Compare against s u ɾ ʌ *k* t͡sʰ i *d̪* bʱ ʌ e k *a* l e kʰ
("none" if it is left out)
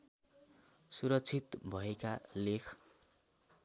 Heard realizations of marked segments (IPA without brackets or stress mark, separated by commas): k, t̪, a